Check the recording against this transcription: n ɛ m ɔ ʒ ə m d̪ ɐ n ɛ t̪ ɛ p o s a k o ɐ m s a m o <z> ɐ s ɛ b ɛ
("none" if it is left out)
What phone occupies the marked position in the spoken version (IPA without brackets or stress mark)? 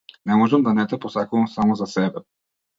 z